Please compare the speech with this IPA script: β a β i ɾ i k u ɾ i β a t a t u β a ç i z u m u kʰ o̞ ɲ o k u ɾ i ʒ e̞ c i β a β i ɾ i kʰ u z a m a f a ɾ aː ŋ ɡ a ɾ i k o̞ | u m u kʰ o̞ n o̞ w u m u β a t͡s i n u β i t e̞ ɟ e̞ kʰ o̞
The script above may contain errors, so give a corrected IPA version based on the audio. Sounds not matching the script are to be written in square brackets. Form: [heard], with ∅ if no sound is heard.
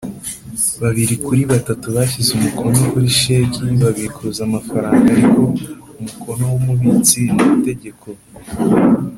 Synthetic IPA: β a β i ɾ i k u ɾ i β a t a t u β a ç i z u m u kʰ o̞ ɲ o k u ɾ i [ʃ] e̞ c i β a β i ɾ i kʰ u z a m a f a ɾ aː ŋ ɡ a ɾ i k o̞ | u m u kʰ o̞ n o̞ w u m u β [i] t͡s i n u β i t e̞ ɟ e̞ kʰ o̞